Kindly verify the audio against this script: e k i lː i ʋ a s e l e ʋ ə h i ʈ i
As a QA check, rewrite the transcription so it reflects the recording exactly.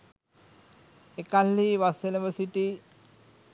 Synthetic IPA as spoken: e k a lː i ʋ a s e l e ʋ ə s i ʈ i